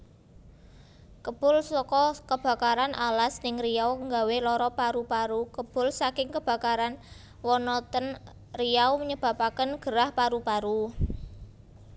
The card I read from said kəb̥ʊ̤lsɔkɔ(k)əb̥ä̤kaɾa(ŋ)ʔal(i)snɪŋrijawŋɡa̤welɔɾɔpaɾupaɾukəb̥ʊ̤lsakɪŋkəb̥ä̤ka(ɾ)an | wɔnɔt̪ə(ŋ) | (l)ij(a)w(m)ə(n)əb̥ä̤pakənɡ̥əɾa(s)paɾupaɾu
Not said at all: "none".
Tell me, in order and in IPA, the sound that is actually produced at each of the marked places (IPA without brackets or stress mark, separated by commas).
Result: k, n, a, ɾ, n, r, a, m, ɲ, h